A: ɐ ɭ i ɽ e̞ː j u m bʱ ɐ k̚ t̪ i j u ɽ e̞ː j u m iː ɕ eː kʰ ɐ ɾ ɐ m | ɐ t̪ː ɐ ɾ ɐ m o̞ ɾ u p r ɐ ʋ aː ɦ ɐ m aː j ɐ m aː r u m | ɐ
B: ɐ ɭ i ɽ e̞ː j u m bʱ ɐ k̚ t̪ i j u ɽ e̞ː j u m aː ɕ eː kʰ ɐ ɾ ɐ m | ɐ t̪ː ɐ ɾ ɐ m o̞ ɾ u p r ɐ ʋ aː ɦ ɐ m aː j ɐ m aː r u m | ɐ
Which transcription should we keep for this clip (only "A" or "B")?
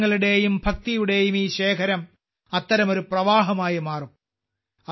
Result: A